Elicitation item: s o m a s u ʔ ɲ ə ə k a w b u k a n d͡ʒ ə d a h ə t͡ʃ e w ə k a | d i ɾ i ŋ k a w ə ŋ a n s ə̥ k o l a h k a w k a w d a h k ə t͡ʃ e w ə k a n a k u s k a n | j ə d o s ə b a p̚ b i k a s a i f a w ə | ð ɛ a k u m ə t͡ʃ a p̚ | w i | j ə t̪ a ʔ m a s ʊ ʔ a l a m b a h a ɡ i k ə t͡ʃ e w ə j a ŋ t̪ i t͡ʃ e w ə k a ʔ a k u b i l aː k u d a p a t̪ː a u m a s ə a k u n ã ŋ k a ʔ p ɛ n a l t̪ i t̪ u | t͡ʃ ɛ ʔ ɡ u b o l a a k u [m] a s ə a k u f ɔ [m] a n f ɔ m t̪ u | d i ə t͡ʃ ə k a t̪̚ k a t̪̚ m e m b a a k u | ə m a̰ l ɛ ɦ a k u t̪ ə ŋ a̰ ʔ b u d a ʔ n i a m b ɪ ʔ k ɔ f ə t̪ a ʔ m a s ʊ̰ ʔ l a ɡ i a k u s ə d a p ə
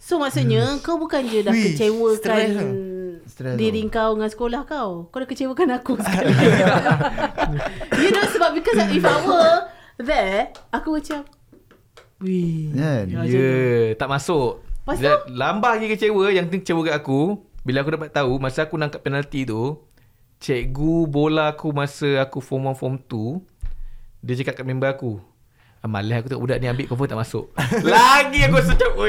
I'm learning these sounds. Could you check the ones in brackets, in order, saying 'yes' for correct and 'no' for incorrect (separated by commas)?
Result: yes, yes